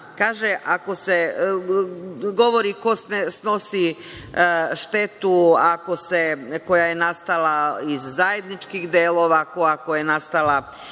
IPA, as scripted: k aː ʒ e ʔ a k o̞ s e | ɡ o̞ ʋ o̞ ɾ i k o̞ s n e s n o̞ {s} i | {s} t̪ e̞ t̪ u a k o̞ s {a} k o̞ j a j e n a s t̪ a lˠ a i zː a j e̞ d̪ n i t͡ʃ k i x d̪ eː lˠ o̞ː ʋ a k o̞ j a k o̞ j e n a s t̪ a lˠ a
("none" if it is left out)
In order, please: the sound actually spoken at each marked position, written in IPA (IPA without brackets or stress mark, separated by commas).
s, ʃ, e